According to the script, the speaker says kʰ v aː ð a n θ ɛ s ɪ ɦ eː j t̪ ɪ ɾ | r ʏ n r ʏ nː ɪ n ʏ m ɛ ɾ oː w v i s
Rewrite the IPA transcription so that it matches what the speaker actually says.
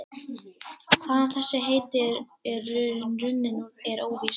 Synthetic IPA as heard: kʰ v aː ð a n θ ɛ sː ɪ ɦ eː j t̪ ɪ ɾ | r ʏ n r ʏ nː ɪ n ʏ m ɛ ɾ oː w v i s